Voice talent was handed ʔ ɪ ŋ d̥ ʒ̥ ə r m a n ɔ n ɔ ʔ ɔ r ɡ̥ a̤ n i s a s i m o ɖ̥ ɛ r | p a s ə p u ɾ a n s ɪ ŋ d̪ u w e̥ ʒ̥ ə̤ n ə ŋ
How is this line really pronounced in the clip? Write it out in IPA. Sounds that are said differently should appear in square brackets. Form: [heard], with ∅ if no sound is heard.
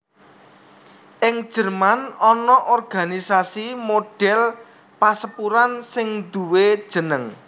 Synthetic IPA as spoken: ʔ ɪ ŋ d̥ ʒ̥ ə r m a n ɔ n ɔ ʔ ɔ r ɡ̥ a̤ n i s a s i m o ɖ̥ ɛ [l] | p a s ə p u ɾ a n s ɪ ŋ d̪ u w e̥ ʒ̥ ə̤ n ə ŋ